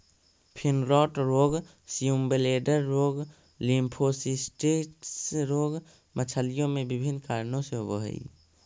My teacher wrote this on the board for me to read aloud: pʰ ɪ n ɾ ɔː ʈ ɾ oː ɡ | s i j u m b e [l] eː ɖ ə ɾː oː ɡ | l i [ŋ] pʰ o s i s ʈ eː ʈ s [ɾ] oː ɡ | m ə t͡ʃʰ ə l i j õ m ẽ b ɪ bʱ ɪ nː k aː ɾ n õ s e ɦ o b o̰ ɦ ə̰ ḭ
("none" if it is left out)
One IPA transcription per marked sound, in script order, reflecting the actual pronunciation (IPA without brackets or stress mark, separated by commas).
l, m, ɾ